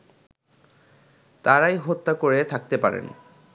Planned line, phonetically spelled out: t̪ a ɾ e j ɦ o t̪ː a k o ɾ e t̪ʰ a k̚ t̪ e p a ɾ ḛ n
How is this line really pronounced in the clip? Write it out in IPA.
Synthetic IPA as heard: t̪ a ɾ a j ɦ o t̪ː a k o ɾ e t̪ʰ a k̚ t̪ e p a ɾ ḛ n